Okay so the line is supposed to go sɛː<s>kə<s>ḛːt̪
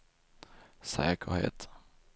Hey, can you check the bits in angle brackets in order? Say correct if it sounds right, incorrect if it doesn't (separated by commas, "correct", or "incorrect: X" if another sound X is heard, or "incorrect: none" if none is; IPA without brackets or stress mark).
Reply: incorrect: none, incorrect: h